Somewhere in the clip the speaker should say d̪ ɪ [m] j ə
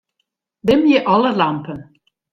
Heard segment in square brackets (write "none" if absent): m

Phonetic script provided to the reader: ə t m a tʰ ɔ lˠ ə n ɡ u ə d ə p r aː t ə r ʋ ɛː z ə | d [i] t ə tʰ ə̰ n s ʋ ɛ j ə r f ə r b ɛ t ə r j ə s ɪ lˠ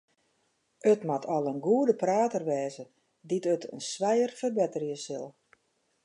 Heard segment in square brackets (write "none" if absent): i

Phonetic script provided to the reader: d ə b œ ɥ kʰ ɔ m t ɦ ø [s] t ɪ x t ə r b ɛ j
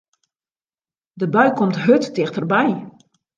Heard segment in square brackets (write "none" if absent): t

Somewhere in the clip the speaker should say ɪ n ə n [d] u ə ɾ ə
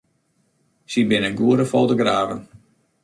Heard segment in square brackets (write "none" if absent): ɡ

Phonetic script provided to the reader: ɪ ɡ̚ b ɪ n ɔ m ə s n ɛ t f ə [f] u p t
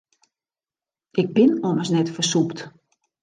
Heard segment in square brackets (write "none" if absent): s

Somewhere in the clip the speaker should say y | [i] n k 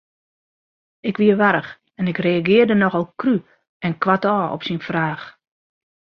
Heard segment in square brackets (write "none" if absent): ɛ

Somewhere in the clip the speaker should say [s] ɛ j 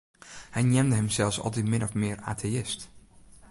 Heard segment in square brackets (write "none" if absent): h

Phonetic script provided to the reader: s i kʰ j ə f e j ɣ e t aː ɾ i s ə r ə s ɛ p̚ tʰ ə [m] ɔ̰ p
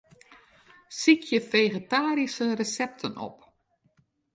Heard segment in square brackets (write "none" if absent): n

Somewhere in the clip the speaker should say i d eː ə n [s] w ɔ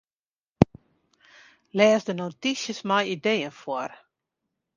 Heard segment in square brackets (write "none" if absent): f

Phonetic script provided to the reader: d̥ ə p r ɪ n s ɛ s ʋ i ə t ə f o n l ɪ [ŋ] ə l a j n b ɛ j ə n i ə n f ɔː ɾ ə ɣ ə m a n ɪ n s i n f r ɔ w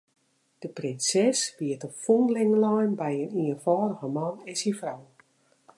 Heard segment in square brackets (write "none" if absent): ŋ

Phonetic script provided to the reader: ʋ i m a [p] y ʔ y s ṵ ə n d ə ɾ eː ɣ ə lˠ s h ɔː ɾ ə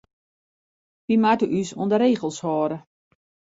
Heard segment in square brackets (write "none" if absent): t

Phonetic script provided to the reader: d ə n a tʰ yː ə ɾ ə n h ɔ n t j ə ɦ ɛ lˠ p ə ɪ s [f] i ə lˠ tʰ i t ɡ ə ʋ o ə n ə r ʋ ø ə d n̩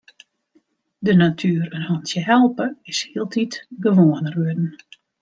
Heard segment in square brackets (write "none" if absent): h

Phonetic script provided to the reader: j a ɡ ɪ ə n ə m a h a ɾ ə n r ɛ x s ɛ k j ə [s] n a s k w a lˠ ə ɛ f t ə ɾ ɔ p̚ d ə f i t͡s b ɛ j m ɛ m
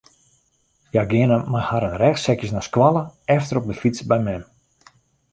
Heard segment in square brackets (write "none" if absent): s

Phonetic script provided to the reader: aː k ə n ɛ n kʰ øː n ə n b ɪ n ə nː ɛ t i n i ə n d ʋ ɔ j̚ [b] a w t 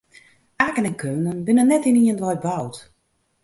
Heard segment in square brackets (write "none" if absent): b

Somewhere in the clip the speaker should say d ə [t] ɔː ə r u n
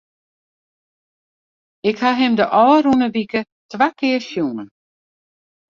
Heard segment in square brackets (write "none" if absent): ʔ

